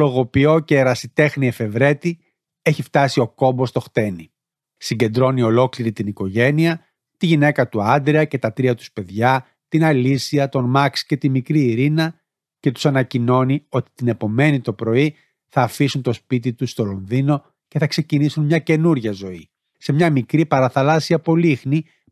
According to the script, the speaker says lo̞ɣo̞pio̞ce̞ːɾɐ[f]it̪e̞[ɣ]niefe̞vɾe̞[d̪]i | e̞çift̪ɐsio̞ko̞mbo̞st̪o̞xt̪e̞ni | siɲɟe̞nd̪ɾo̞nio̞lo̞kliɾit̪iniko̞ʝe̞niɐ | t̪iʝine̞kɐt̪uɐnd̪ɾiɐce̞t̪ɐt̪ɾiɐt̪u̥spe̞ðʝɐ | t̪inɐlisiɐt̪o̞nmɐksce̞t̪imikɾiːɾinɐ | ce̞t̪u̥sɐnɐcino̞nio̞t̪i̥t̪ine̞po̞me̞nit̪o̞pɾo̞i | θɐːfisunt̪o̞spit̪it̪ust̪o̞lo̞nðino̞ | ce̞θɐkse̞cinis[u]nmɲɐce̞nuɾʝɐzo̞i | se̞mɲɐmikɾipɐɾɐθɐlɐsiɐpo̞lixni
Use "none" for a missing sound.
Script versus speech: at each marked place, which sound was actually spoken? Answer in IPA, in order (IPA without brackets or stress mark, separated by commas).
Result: s, x, t̪, u